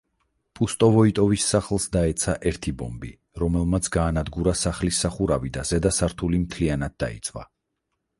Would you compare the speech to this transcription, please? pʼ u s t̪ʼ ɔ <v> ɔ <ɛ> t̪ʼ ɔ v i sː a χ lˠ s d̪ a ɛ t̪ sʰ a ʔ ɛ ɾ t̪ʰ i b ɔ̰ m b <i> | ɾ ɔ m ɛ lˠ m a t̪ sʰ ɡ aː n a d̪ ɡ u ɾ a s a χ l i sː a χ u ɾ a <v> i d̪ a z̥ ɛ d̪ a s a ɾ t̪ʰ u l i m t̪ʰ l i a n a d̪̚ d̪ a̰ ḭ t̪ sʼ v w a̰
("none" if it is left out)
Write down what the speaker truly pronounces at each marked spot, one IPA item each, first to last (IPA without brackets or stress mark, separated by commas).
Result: v, i, i, v